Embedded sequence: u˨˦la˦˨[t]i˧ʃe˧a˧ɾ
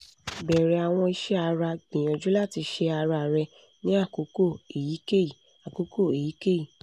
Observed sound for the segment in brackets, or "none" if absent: t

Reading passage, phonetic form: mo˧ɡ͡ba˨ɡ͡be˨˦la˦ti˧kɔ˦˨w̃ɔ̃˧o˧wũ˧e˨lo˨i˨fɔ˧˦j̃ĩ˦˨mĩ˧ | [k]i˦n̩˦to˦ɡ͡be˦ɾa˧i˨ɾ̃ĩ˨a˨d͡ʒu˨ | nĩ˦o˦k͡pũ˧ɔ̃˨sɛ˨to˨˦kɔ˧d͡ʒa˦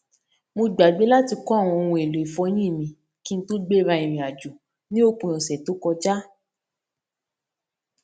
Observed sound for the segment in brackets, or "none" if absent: k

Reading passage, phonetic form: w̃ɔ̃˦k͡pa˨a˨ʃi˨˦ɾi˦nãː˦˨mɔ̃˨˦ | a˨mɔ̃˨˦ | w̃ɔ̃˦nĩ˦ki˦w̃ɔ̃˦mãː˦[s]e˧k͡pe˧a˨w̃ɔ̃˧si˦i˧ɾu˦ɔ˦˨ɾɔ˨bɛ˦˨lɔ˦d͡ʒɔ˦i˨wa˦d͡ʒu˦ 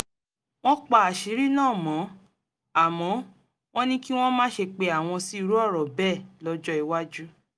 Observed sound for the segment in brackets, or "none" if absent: ʃ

